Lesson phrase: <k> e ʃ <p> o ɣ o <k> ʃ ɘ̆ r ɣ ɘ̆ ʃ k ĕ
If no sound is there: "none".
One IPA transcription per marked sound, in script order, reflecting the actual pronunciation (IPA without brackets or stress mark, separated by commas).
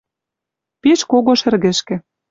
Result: p, k, none